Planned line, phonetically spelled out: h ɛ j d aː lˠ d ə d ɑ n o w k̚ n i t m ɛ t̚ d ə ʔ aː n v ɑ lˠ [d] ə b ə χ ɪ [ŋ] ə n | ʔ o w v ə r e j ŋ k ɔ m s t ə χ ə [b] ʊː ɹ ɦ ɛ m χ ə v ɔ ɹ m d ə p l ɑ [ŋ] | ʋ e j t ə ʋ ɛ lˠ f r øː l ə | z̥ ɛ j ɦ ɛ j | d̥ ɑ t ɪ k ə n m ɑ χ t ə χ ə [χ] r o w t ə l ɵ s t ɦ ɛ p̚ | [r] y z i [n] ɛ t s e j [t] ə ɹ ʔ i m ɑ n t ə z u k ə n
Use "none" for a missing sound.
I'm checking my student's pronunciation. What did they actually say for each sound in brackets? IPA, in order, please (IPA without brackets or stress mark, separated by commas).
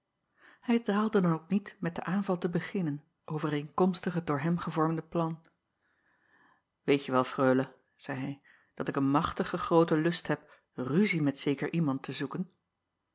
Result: t, n, d, n, χ, r, m, k